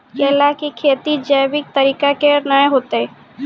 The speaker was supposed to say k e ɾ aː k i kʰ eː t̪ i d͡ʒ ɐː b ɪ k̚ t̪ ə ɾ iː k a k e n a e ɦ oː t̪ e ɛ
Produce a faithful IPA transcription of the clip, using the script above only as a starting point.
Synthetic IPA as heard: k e l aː k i kʰ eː t̪ i d͡ʒ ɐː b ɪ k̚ t̪ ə ɾ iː k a k e n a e ɦ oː t̪ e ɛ